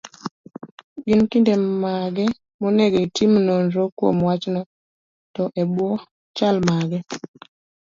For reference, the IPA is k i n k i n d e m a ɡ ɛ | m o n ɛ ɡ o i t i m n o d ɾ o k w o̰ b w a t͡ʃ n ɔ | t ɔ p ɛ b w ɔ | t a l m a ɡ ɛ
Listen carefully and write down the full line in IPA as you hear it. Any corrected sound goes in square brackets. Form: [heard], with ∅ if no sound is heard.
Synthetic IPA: [ɡ] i n k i n d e m a ɡ ɛ | m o n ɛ ɡ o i t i m n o [n] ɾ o k w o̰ [m] w a t͡ʃ n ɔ | t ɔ [ʔ] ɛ b w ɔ | [t͡ʃ] a l m a ɡ ɛ